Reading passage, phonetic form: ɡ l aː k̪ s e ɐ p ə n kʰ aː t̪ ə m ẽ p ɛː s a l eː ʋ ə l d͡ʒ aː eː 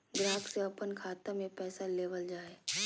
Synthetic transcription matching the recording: ɡ ɾ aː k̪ s e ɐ p ə n kʰ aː t̪ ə m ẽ p ɛː s a l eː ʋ ə l d͡ʒ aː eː

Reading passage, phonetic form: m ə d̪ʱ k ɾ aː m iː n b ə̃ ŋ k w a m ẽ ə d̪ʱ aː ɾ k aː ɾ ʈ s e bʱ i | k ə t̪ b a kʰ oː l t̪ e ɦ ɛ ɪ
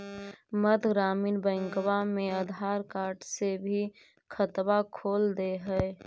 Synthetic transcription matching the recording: m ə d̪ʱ ɡ ɾ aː m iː n b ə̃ ŋ k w a m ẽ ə d̪ʱ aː ɾ k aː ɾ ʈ s e bʱ i | kʰ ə t̪ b a kʰ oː l d̪ e ɦ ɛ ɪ

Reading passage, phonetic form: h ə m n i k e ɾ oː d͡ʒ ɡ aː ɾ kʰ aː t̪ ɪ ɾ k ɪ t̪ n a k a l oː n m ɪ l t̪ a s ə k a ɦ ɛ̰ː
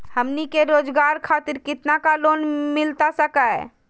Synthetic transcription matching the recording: h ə m n i k e ɾ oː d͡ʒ ɡ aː ɾ kʰ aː t̪ ɪ ɾ k ɪ t̪ n a k a l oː n m ɪ l t̪ a s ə k a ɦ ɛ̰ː

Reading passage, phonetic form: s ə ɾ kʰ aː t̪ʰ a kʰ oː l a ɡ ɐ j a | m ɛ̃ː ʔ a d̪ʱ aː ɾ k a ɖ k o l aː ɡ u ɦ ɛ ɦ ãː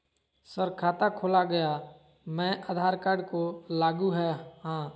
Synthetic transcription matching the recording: s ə ɾ kʰ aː t̪ a kʰ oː l a ɡ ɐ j a | m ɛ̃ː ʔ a d̪ʱ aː ɾ k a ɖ k o l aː ɡ u ɦ ɛ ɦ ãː

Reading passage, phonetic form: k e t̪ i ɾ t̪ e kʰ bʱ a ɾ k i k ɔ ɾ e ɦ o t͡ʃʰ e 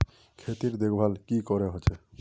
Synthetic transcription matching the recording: kʰ e t̪ i ɾ d̪ e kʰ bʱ a l k i k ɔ ɾ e ɦ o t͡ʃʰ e

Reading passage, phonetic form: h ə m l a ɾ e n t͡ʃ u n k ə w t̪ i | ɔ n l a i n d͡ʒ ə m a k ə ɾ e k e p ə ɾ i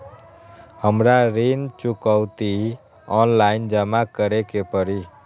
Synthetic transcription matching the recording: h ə m ɾ a ɾ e n t͡ʃ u k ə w t̪ i | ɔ n l a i n d͡ʒ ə m a k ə ɾ e k e p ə ɾ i

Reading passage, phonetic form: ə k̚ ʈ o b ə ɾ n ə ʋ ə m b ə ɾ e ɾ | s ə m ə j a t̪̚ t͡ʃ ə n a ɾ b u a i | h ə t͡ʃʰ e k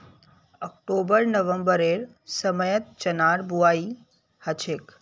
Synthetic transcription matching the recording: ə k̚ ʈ o b ə ɾ n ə ʋ ə m b ə ɾ e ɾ | s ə m ə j ə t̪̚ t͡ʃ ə n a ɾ b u a i | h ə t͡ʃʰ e k

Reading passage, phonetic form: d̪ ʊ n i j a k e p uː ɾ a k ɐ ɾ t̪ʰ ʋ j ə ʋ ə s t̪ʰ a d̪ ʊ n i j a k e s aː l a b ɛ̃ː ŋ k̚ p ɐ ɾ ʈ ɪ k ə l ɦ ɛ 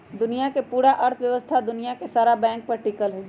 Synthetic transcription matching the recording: d̪ ʊ n i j a k e p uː ɾ a ʔ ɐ ɾ t̪ʰ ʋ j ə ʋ ə s t̪ʰ a d̪ ʊ n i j a k e s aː ɾ a b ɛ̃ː ŋ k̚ p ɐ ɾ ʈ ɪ k ə l ɦ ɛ

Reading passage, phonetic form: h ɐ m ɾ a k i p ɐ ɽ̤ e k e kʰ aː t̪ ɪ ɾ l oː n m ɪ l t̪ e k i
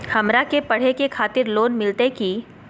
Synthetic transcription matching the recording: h ɐ m ɾ a k e p ɐ ɽ̤ e k e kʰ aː t̪ ɪ ɾ l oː n m ɪ l t̪ e k i

